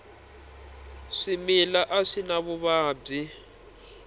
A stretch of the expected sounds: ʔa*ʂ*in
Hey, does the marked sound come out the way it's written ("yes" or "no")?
yes